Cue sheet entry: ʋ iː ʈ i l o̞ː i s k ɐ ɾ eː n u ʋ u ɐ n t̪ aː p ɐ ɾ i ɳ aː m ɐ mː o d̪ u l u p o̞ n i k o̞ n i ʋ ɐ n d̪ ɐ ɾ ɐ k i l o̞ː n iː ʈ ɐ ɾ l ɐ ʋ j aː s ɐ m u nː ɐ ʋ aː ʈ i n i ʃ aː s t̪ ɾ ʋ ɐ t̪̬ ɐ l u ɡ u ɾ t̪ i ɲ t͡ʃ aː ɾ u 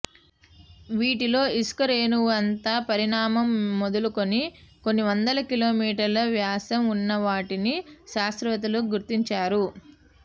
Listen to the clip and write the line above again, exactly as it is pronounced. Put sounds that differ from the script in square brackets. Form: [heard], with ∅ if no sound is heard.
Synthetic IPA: ʋ iː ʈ i l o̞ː i s k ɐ ɾ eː n u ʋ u ɐ n t̪ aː p ɐ ɾ i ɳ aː m ɐ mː o d̪ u l u [k] o̞ n i k o̞ [nː] i ʋ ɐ n d̪ ɐ [l] ɐ k i l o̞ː [m] iː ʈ ɐ ɾ l ɐ ʋ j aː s ɐ m u nː ɐ ʋ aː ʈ i n i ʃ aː s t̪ ɾ ʋ ɐ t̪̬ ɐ l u ɡ u ɾ t̪ i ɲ t͡ʃ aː ɾ u

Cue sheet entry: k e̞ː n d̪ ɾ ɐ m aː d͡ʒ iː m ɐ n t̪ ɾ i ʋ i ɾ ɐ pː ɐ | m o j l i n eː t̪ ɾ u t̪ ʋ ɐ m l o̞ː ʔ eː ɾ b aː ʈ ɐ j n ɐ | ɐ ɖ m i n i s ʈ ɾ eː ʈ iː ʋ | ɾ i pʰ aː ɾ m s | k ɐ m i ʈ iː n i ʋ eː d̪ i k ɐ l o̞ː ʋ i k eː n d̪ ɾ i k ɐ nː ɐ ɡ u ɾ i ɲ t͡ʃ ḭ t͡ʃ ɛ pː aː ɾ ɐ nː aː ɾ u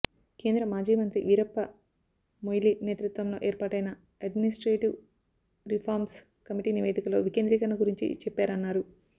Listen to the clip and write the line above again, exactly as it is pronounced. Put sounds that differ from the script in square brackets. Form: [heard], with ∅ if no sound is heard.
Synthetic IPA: k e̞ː n d̪ ɾ ɐ m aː d͡ʒ iː m ɐ n t̪ ɾ i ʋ i ɾ ɐ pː ɐ | m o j l i n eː t̪ ɾ u t̪ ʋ ɐ m l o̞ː ʔ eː ɾ [p] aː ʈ ɐ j n ɐ | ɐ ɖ m i n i s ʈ ɾ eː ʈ [i] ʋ | ɾ i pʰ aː ɾ m s | k ɐ m i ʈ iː n i ʋ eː d̪ i k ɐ l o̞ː ʋ i k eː n d̪ ɾ i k ɐ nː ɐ ɡ u ɾ i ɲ t͡ʃ ḭ t͡ʃ ɛ pː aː ɾ ɐ nː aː ɾ u

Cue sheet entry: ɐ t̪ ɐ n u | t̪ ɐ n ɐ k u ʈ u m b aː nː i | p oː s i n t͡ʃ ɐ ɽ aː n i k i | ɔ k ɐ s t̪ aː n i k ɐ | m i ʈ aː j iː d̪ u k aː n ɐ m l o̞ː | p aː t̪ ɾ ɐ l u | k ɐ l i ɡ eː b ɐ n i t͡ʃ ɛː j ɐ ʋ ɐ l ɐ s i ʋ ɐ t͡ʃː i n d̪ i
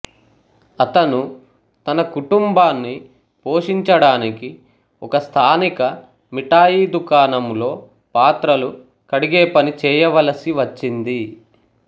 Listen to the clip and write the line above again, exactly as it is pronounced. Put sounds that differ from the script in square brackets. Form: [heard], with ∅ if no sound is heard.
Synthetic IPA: ɐ t̪ ɐ n u | t̪ ɐ n ɐ k u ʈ u m b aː nː i | p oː [ʂ] i [ɲ] t͡ʃ ɐ ɽ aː n i k i | ɔ k ɐ s [t̪ʰ] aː n i k ɐ | m i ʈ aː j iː d̪ u k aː n ɐ m l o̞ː | p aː t̪ ɾ ɐ l u | k ɐ [ɽ] i ɡ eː [p] ɐ n i t͡ʃ ɛː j ɐ ʋ ɐ l ɐ s i ʋ ɐ t͡ʃː i n d̪ i

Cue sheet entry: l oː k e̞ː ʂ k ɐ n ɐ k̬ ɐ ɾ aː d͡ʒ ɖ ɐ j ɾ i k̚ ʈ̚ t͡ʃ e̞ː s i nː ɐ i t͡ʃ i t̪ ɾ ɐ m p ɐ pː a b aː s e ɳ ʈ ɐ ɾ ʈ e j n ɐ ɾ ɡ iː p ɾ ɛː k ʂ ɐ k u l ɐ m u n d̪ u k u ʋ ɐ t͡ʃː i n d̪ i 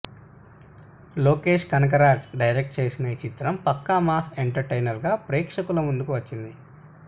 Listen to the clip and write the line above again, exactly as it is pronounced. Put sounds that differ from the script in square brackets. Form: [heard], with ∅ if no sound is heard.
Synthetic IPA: l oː k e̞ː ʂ k ɐ n ɐ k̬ ɐ ɾ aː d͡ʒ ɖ ɐ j ɾ [e] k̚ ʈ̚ t͡ʃ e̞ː s i [n] ɐ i t͡ʃ i t̪ ɾ ɐ m p ɐ [kː] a [m] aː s e ɳ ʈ ɐ ɾ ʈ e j n ɐ ɾ ɡ [aː] p ɾ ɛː k ʂ ɐ k u l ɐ m u n d̪ u k u ʋ ɐ t͡ʃː i n d̪ i

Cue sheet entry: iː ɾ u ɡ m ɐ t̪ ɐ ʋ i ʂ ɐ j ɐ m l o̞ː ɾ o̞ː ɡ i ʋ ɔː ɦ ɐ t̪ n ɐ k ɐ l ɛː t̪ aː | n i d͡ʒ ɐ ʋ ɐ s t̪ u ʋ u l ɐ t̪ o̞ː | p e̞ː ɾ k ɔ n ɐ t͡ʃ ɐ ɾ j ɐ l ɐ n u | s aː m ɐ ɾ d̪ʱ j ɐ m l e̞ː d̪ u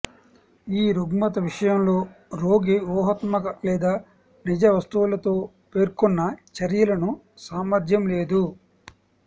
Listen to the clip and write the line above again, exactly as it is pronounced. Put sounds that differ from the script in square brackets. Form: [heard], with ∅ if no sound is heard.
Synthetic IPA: iː ɾ u ɡ m ɐ t̪ ɐ ʋ i ʂ ɐ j ɐ m l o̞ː ɾ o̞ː ɡ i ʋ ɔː ɦ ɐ t̪ [m] ɐ k ɐ l ɛː [d̪] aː | n i d͡ʒ ɐ ʋ ɐ s t̪ u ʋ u l ɐ t̪ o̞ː | p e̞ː ɾ k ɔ [nː] ɐ t͡ʃ ɐ ɾ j ɐ l ɐ n u | s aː m ɐ ɾ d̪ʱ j ɐ m l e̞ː d̪ u

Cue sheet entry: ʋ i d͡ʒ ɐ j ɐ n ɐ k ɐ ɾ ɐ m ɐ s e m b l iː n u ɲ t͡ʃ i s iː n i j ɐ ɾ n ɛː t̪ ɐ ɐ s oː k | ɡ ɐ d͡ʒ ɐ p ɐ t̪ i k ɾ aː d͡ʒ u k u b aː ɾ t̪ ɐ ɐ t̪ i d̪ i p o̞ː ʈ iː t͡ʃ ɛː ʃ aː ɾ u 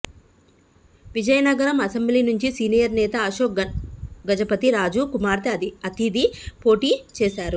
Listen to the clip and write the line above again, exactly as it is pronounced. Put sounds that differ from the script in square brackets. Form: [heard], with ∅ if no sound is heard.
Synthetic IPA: ʋ i d͡ʒ ɐ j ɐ n ɐ [ɡ] ɐ ɾ ɐ m ɐ s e m b l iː n u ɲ t͡ʃ i s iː n i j ɐ ɾ n ɛː t̪ ɐ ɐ [ʃ] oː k | ɡ ɐ d͡ʒ ɐ p ɐ t̪ i [∅] ɾ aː d͡ʒ u k u [m] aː ɾ t̪ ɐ ɐ t̪ i d̪ i p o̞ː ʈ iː t͡ʃ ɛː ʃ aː ɾ u

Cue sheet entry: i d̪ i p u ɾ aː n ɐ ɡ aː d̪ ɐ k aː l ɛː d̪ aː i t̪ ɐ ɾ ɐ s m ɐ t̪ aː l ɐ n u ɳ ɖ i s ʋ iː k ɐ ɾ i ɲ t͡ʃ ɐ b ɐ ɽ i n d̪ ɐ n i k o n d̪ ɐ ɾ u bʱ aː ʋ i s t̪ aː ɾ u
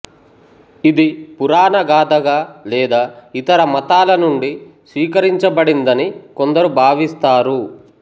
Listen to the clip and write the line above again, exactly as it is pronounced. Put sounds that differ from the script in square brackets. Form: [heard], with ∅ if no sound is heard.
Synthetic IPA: i d̪ i p u ɾ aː n ɐ ɡ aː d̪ ɐ [ɡ] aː l ɛː d̪ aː i t̪ ɐ ɾ ɐ [∅] m ɐ t̪ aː l ɐ n u ɳ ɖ i s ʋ iː k ɐ ɾ i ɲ t͡ʃ ɐ b ɐ ɽ i n d̪ ɐ n i k o n d̪ ɐ ɾ u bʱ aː ʋ i s t̪ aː ɾ u

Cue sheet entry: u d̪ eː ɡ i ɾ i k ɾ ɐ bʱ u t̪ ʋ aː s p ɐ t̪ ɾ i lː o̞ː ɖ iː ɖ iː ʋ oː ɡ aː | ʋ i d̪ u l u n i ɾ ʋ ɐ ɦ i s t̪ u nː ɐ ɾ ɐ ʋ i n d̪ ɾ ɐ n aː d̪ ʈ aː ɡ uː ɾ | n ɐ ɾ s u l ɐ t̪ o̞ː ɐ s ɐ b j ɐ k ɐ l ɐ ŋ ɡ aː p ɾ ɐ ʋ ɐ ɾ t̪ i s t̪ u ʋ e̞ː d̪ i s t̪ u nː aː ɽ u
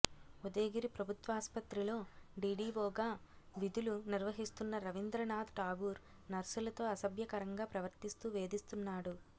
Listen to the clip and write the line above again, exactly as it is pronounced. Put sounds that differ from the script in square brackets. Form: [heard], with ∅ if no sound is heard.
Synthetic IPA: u d̪ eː ɡ i ɾ i [p] ɾ ɐ bʱ u t̪ ʋ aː s p ɐ t̪ ɾ i [l] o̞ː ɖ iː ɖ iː ʋ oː ɡ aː | ʋ i d̪ u l u n i ɾ ʋ ɐ ɦ i s t̪ u nː ɐ ɾ ɐ ʋ i n d̪ ɾ ɐ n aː d̪ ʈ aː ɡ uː ɾ | n ɐ ɾ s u l ɐ t̪ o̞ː ɐ s ɐ b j ɐ k ɐ [ɾ] ɐ ŋ ɡ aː p ɾ ɐ ʋ ɐ ɾ t̪ i s t̪ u ʋ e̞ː d̪ i s t̪ u nː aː ɽ u

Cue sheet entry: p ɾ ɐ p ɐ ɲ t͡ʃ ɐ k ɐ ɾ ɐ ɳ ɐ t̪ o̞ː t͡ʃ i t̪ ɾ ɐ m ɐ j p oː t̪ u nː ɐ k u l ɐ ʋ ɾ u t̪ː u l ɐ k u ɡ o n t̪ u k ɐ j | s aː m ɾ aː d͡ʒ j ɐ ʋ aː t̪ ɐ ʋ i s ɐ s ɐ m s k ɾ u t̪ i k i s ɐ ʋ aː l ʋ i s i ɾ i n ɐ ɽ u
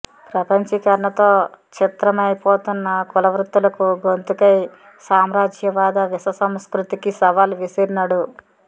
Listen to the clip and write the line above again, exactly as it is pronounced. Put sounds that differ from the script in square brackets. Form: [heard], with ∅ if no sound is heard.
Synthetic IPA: p ɾ ɐ p ɐ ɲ t͡ʃ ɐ k ɐ ɾ ɐ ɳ ɐ t̪ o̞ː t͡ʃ i t̪ ɾ ɐ m ɐ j p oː t̪ u nː ɐ k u l ɐ ʋ ɾ u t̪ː u l ɐ k u ɡ o n t̪ u k ɐ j | s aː m ɾ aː d͡ʒ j ɐ ʋ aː [d̪] ɐ ʋ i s ɐ s ɐ m s k ɾ u t̪ i k i s ɐ ʋ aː l ʋ i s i ɾ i n ɐ ɽ u

